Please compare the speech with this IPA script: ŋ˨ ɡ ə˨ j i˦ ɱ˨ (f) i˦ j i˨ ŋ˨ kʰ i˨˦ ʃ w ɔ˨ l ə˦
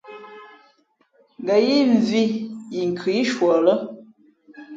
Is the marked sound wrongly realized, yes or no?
yes